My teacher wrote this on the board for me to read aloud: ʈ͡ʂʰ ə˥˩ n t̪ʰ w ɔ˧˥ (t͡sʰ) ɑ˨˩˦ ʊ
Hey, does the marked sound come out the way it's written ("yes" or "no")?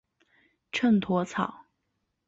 yes